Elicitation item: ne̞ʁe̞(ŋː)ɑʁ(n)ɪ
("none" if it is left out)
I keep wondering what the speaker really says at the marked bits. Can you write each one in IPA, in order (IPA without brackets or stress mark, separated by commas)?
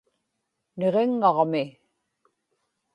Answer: ŋː, m